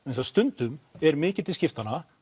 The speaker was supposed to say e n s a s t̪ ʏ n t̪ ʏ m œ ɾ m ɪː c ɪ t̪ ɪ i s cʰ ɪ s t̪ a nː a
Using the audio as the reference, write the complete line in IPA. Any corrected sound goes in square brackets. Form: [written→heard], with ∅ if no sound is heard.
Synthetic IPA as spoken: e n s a s t̪ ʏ n t̪ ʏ m [œ→ɛ] ɾ m ɪː c ɪ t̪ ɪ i s [cʰ→c] ɪ [s→f] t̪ a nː a